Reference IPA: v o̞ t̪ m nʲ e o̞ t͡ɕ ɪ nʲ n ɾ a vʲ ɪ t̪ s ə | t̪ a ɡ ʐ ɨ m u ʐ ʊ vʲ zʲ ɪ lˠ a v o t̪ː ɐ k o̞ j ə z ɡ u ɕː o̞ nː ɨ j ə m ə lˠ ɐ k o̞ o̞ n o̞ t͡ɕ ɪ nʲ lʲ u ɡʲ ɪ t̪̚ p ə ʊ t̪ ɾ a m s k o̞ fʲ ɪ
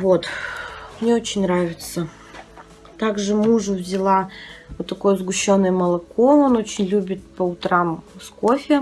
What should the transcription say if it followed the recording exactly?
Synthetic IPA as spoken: v o̞ t̪ m nʲ e o̞ t͡ɕ ɪ nʲ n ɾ a vʲ ɪ t̪ s ə | t̪ a ɡ ʐ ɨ m u ʐ ʊ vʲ zʲ ɪ lˠ a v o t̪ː ɐ k o̞ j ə z ɡ ʊ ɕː o̞ nː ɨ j ə m ə lˠ ɐ k o̞ o̞ n o̞ t͡ɕ ɪ nʲ lʲ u bʲ ɪ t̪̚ p ə ʊ t̪ ɾ a m s k o̞ fʲ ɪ